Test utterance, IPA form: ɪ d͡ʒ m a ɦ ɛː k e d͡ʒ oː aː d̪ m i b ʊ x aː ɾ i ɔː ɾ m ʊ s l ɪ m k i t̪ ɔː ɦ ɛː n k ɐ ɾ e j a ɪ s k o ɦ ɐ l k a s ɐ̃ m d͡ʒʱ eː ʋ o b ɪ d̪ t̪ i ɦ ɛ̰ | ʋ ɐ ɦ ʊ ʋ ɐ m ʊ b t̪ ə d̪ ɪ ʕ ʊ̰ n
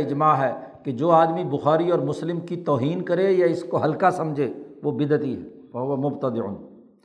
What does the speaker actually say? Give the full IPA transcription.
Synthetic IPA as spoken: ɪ d͡ʒ m a ɦ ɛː k e d͡ʒ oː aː d̪ m i b ʊ x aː ɾ i ɔː ɾ m ʊ s l ɪ m k i t̪ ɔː ɦ iː n k ɐ ɾ e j a ɪ s k o ɦ ɐ l k a s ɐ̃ m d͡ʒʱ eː ʋ o b ɪ d̪ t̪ i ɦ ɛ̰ | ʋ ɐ ɦ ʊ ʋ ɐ m ʊ b t̪ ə d̪ ɪ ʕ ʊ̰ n